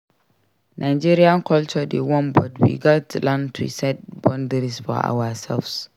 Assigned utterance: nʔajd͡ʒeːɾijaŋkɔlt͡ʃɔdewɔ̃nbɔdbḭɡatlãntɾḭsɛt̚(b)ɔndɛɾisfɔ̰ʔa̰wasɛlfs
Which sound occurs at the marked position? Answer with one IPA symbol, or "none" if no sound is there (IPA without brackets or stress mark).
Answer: b